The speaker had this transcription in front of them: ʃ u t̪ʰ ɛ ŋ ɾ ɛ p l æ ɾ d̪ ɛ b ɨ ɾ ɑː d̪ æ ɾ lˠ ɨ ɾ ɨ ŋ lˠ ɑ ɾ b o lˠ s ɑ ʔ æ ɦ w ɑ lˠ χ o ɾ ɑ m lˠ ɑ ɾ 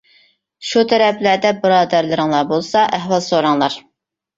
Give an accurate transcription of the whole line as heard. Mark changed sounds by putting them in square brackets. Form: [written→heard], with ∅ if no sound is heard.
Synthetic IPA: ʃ u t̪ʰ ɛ [ŋ→∅] ɾ ɛ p l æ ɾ d̪ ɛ b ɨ ɾ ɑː d̪ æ ɾ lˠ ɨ ɾ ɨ ŋ lˠ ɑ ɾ b o lˠ s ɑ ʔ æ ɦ w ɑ lˠ [χ→s] o ɾ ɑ [m→ŋ] lˠ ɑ ɾ